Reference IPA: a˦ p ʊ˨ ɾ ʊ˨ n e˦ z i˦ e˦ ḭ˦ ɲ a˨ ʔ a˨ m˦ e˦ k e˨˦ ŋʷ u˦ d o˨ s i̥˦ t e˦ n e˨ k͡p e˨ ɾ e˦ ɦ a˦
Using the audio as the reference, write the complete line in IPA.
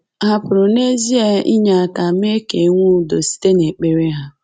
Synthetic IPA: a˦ p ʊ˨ ɾ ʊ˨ n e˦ z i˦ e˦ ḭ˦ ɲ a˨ k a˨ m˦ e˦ k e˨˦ ŋʷ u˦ d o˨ s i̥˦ t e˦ n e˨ k͡p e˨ ɾ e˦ ɦ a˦